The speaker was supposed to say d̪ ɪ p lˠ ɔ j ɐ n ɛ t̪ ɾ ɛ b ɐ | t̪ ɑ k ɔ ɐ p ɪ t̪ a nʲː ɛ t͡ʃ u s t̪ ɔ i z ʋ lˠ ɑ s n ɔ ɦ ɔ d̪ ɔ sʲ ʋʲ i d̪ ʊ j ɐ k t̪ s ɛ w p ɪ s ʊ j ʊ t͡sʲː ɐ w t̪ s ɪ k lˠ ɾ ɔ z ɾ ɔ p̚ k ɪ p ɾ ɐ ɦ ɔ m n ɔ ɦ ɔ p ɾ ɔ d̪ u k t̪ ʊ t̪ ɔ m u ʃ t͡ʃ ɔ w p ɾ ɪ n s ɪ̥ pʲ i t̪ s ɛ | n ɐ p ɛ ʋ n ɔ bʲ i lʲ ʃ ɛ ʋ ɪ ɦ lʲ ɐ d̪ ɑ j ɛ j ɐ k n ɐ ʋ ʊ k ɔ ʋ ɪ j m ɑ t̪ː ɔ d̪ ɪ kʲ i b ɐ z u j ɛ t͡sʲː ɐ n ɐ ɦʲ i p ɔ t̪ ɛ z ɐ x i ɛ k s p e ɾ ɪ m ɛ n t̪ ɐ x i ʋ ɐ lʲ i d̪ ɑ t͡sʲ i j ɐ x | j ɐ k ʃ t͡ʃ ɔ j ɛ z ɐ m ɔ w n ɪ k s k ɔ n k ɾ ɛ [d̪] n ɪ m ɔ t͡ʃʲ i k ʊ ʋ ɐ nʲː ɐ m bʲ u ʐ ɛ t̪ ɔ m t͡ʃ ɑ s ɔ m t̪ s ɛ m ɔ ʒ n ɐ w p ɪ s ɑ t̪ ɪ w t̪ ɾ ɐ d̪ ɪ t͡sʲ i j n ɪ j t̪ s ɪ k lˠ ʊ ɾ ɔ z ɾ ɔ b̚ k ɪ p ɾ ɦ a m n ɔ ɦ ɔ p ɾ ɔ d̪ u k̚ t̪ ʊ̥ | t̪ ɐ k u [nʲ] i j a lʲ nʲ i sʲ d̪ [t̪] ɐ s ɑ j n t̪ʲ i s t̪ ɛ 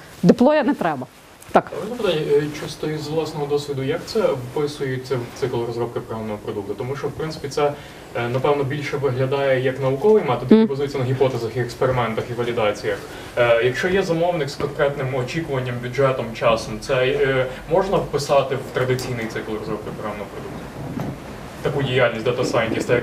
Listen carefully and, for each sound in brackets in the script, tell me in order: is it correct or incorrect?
incorrect: t̪, incorrect: dʲ, correct

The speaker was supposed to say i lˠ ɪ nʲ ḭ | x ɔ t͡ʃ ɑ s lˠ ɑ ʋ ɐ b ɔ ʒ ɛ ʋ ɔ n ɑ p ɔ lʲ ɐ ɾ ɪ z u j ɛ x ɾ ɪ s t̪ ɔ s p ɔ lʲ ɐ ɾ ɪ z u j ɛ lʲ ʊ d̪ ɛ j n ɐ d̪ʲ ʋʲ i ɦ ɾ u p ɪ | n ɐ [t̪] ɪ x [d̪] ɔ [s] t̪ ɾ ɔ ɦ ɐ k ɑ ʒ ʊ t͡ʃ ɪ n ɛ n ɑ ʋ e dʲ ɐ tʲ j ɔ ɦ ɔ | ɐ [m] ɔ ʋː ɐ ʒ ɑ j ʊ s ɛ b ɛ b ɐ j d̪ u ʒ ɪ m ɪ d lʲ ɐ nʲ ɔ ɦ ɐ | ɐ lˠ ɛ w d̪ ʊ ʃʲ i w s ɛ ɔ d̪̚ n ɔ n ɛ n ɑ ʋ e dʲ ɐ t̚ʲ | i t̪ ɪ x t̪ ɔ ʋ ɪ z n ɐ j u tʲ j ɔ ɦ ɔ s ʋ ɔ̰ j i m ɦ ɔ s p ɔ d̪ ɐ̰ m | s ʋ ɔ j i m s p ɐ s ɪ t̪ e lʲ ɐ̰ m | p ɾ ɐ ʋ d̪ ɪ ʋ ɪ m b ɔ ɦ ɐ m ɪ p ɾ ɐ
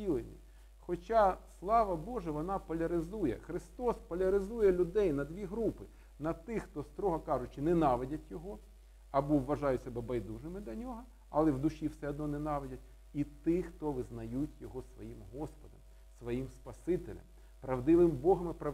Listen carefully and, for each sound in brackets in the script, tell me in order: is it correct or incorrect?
correct, incorrect: t̪, correct, incorrect: b

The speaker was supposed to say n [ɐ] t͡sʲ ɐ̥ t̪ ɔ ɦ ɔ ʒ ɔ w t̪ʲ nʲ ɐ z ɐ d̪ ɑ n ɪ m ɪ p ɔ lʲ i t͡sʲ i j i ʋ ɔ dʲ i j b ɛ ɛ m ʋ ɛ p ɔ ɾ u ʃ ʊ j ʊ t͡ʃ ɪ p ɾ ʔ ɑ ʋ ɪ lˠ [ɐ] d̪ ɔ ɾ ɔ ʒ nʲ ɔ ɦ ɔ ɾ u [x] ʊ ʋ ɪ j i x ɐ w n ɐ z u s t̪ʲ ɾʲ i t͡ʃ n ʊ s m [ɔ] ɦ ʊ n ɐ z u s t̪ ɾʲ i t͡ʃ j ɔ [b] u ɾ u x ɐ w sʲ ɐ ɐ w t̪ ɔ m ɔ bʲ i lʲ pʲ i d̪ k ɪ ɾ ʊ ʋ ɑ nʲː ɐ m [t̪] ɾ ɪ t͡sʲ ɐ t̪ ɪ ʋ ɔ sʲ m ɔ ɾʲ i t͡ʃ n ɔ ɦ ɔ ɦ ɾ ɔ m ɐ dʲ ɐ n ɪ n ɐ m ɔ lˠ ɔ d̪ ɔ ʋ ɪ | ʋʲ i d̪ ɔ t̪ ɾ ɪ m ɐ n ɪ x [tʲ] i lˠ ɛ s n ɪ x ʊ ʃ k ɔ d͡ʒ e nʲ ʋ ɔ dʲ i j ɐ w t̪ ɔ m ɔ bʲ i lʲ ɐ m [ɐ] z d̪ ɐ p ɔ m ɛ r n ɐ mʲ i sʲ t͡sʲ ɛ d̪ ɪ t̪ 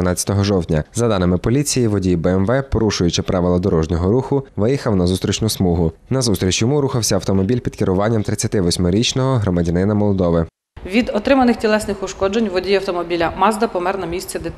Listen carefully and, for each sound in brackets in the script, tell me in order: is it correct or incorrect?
incorrect: ɑ, correct, correct, incorrect: u, incorrect: m, correct, correct, incorrect: ɑ

